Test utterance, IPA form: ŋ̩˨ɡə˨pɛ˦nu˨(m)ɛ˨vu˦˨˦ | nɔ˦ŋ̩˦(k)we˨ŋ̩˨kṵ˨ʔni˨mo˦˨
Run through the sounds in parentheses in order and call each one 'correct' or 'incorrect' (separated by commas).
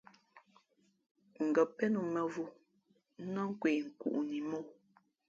correct, correct